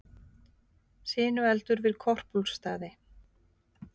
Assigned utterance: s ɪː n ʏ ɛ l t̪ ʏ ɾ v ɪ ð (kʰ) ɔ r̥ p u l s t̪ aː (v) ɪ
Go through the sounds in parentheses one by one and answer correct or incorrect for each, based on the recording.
correct, incorrect

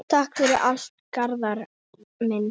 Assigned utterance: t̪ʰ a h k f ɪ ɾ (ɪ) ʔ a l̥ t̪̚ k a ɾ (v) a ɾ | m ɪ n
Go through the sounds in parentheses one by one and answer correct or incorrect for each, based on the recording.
correct, incorrect

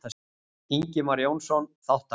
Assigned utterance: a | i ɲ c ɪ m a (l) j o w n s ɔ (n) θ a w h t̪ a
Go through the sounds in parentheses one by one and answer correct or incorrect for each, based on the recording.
incorrect, correct

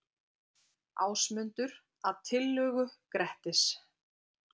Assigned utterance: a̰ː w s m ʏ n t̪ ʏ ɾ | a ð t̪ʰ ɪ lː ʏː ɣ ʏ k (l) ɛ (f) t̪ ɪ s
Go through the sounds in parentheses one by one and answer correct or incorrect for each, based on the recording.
incorrect, incorrect

